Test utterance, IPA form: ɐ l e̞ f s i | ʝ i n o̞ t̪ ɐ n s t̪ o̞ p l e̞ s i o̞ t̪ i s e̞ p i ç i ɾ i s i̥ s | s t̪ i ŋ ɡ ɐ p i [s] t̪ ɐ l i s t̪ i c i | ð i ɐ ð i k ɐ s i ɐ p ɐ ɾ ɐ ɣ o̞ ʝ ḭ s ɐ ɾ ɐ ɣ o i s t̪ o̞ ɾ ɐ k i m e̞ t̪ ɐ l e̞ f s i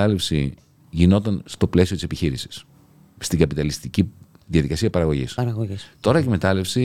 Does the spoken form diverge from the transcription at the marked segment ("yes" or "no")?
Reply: yes